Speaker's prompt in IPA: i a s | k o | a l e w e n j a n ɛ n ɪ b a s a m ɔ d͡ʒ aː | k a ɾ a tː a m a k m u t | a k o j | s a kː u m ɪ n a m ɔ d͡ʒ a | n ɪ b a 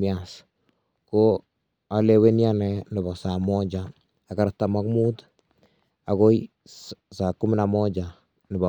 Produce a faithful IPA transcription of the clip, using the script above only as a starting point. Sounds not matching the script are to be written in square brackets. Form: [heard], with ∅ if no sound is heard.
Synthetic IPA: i a s | k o | a l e w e n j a n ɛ n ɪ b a s a m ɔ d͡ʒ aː | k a ɾ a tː a m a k m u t | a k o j | s a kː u m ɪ n a m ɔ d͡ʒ a | n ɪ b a